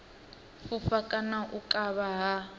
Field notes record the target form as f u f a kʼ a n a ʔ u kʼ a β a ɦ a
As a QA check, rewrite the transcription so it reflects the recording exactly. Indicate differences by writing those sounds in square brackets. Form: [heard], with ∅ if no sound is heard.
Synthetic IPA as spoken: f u f a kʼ a n a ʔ u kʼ a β a ɦ a